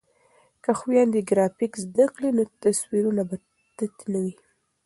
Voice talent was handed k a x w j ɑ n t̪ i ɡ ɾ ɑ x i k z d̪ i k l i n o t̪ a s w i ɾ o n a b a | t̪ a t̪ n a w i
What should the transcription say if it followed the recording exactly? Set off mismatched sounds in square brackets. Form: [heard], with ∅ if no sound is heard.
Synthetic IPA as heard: k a x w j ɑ n [d̪] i ɡ ɾ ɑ [f] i k z d̪ [a] k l i n o t̪ a s w i ɾ [u] n a b a | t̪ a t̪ n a w i

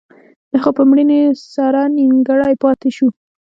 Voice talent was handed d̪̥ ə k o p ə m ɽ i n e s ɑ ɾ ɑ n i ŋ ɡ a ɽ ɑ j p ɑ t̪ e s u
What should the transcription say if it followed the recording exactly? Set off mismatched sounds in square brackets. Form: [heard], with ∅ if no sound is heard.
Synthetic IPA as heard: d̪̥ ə [x] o p ə m ɽ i n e s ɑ ɾ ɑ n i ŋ ɡ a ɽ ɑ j p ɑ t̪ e [ʃ] u

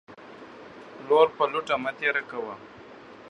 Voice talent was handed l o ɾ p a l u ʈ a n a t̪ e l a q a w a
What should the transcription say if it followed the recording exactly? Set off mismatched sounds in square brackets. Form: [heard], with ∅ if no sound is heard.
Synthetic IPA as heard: l o ɾ p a l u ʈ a [m] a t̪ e [ɾ] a [k] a w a

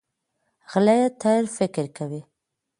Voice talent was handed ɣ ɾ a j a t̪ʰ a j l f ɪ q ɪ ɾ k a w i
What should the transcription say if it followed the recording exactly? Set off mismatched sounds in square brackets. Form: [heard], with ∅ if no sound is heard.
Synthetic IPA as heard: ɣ [l] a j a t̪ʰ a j [ɾ] f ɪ [k] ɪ ɾ k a w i

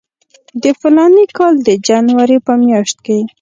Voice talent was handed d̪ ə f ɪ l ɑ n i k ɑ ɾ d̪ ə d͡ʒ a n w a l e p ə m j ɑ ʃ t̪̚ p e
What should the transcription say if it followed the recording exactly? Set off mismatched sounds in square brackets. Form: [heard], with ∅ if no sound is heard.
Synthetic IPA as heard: d̪ ə f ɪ l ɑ n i k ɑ [l] d̪ ə d͡ʒ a n w a [ɾ] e p ə m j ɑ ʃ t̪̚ [k] e

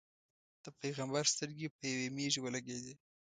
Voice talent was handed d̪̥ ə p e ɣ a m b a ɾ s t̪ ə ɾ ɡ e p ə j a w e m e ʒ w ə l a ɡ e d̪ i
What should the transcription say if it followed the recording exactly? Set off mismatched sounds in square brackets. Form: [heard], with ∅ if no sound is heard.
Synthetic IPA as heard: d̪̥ ə p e ɣ a m b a ɾ s t̪ ə ɾ ɡ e p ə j a w e m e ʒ w ə l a ɡ e d̪ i

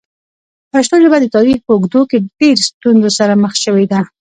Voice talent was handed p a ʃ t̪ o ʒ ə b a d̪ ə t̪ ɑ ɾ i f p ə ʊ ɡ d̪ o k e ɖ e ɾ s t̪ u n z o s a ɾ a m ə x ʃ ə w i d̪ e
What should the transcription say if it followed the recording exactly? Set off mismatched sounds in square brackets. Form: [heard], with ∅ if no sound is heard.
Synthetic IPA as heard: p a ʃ t̪ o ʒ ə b a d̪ ə t̪ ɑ ɾ i [x] p ə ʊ ɡ d̪ o k e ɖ e ɾ s t̪ u n z o s a ɾ a m ə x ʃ ə w [e] d̪ [a]

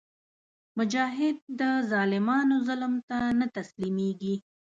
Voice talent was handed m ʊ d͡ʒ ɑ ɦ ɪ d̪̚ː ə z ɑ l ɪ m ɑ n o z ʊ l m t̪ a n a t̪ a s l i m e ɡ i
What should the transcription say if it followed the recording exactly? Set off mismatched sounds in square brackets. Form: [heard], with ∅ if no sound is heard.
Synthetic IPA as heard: m ʊ d͡ʒ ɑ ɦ ɪ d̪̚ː ə z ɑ l ɪ m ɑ n o z ʊ l m t̪ a n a t̪ a s l i m e ɡ i

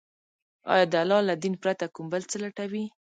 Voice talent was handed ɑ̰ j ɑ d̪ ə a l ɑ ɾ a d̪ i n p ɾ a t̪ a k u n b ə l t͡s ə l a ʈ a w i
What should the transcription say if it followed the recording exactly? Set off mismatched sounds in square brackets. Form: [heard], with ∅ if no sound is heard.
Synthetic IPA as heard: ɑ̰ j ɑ d̪ ə a l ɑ [l] a d̪ i n p ɾ a t̪ a k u [m] b ə l t͡s ə l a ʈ a w i

